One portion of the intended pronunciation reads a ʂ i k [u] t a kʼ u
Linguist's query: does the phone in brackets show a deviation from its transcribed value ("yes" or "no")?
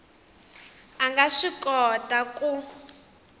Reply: yes